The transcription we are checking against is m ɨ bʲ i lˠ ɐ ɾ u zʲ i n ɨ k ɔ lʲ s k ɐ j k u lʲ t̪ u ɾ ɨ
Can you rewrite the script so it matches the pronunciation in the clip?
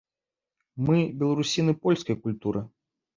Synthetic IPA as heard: m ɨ bʲ ɛ lˠ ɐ ɾ u sʲ i n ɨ p ɔ lʲ s k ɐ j k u lʲ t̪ u ɾ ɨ

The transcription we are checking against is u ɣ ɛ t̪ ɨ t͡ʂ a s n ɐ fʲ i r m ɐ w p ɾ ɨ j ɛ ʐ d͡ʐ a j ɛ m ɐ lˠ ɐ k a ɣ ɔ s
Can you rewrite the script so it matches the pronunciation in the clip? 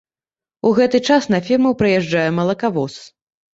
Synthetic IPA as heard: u ɣ ɛ t̪ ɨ t͡ʂ a s n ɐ fʲ i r m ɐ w p ɾ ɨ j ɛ ʐ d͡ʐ a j ɛ m ɐ lˠ ɐ k a v ɔ s

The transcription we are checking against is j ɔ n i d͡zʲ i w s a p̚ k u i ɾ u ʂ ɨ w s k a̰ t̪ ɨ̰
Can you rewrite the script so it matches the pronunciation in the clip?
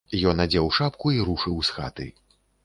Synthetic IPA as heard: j ɔ n a d͡zʲ ɛ w ʂ a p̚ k u i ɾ u ʂ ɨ w s x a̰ t̪ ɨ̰

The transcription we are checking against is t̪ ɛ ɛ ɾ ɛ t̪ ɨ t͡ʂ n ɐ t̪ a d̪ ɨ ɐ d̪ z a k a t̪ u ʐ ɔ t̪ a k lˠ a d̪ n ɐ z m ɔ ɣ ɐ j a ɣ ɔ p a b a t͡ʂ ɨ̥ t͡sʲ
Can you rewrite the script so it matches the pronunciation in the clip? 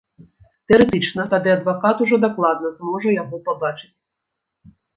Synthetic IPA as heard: t̪ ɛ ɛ ɾ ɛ t̪ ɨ t͡ʂ n ɐ t̪ a d̪ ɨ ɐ d̪ v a k a t̪ u ʐ ɔ d̪ a k lˠ a d̪ n ɐ z m ɔ ʐ ɐ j a ɣ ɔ p a b a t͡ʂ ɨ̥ t͡sʲ

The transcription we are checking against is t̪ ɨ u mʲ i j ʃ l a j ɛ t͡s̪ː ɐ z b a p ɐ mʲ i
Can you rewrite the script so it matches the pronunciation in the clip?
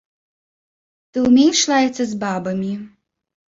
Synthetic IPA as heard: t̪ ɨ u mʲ e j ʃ l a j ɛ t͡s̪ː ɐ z b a b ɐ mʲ i

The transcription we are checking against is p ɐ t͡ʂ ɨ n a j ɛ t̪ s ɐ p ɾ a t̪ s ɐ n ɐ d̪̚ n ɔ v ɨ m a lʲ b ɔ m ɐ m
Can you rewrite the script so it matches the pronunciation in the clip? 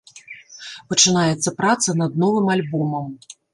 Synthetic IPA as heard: p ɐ t͡ʂ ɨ n a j ɛ t̪ sː ɐ p ɾ a t̪ s ɐ n ɐ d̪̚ n ɔ v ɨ m a lʲ b ɔ m ɐ m

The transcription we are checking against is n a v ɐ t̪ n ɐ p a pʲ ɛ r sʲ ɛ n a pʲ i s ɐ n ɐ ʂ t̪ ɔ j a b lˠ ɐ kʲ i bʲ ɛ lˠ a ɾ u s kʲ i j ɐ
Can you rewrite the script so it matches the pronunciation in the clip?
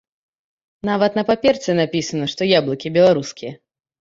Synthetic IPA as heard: n a v ɐ t̪ n ɐ p a pʲ ɛ r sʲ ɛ n a pʲ i s ɐ n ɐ ʂ t̪ ɔ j a b lˠ ɐ kʲ i bʲ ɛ lˠ a ɾ u s kʲ i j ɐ

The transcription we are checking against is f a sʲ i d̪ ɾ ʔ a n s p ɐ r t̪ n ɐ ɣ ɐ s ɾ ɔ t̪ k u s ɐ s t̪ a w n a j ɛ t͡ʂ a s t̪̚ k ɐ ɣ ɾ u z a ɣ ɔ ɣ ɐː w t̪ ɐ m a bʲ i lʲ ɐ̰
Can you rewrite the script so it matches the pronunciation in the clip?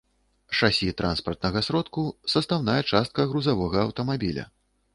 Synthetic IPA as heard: ʂ a sʲ i t̪ ɾ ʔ a n s p ɐ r t̪ n ɐ ɣ ɐ s ɾ ɔ t̪ k u s ɐ s t̪ a w n a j ɛ t͡ʂ a s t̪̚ k ɐ ɣ ɾ u z a v ɔ ɣ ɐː w t̪ ɐ m a bʲ i lʲ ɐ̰

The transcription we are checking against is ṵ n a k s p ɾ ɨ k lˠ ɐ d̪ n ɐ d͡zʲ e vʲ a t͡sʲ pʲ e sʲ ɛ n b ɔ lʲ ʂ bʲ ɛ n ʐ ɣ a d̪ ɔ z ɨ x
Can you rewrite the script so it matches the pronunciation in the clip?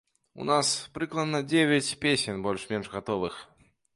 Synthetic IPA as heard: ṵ n a s p ɾ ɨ k lˠ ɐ d̪ n ɐ d͡zʲ e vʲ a t͡sʲ pʲ e sʲ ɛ n b ɔ lʲ ʂ mʲ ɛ n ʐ ɣ a t̪ ɔ v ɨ x

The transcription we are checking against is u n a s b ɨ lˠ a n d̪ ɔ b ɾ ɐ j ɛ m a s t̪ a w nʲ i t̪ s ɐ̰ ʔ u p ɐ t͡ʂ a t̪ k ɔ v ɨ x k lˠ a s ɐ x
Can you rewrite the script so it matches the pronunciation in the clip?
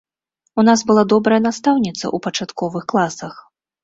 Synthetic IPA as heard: u n a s b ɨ lˠ a d̪ ɔ b ɾ ɐ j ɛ n a s t̪ a w nʲ i t̪ s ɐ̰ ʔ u p ɐ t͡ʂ a t̪ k ɔ v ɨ x k lˠ a s ɐ x

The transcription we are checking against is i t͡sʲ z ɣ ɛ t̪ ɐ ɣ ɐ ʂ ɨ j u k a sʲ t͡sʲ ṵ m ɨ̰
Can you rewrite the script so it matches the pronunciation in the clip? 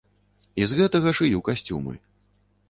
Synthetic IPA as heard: i z ɣ ɛ t̪ ɐ ɣ ɐ ʂ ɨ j u k a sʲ t͡sʲ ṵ m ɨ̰

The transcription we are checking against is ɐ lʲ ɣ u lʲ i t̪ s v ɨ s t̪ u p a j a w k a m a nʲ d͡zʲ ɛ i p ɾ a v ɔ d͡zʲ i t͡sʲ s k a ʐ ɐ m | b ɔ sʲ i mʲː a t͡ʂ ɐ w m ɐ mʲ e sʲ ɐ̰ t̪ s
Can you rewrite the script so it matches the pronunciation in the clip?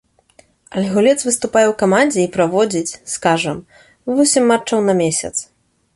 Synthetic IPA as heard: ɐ lʲ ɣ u lʲ ɛ t̪ s v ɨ s t̪ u p a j ɛ w k a m a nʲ d͡zʲ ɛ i p ɾ a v ɔ d͡zʲ i t͡sʲ s k a ʐ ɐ m | v ɔ sʲ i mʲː a t͡ʂ ɐ w n ɐ mʲ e sʲ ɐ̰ t̪ s

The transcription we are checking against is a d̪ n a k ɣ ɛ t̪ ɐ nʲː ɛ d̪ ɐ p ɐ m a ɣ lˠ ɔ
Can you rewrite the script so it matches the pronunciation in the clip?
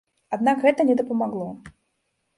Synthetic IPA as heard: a d̪ n a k ɣ ɛ t̪ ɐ nʲ ɛ d̪ ɐ p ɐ m a ɣ lˠ ɔ

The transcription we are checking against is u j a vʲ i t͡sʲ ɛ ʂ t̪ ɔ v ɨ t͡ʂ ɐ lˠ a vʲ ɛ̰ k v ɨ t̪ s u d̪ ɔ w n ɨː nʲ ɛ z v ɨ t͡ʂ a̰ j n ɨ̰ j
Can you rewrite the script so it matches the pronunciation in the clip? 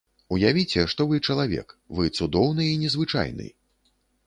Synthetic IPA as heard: u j a vʲ i t͡sʲ ɛ ʂ t̪ ɔ v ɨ t͡ʂ ɐ lˠ a vʲ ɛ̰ k v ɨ t̪ s u d̪ ɔ w n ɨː nʲ ɛ z v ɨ t͡ʂ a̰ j n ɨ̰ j

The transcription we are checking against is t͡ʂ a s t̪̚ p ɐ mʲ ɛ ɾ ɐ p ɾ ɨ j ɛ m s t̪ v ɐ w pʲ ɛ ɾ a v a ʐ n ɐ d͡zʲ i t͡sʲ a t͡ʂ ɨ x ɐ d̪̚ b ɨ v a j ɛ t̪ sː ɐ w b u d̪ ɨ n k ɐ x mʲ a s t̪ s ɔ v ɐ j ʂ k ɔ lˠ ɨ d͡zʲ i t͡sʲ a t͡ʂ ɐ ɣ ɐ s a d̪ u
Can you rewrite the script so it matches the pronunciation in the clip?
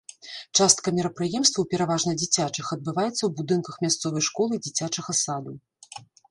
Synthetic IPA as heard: t͡ʂ a s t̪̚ k ɐ mʲ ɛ ɾ ɐ p ɾ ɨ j ɛ m s t̪ v ɐ w pʲ ɛ ɾ a v a ʐ n ɐ d͡zʲ i t͡sʲ a t͡ʂ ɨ x ɐ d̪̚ b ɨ v a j ɛ t̪ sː ɐ w b u d̪ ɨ n k ɐ x mʲ a s t̪ s ɔ v ɐ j ʂ k ɔ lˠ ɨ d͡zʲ i t͡sʲ a t͡ʂ ɐ ɣ ɐ s a d̪ u

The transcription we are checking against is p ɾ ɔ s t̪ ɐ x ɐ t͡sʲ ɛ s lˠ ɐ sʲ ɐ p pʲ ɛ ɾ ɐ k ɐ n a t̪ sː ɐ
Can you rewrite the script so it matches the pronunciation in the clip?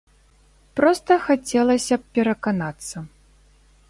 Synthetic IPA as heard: p ɾ ɔ s t̪ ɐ x a t͡sʲ ɛ lˠ ɐ sʲ ɐ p pʲ ɛ ɾ ɐ k a n a t̪ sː ɐ

